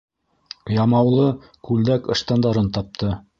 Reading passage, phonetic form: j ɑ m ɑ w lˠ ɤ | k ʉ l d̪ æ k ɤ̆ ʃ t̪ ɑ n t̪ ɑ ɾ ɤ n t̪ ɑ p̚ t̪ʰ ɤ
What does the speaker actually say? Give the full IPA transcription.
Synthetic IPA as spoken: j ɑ m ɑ w lˠ ɤ | k ʉ l d̪ æ k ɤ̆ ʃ t̪ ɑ n d̪ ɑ ɾ ɤ n t̪ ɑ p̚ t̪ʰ ɤ